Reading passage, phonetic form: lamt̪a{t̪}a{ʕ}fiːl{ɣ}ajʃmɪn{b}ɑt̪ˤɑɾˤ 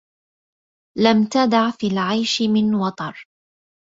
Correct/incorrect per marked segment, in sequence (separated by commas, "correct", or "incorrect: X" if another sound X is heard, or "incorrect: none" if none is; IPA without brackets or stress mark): incorrect: d̪, correct, incorrect: ʕ, incorrect: w